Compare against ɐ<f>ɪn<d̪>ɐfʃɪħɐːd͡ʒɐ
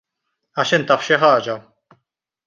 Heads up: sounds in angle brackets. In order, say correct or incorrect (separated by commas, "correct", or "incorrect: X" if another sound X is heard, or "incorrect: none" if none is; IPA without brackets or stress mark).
incorrect: ʃ, incorrect: t̪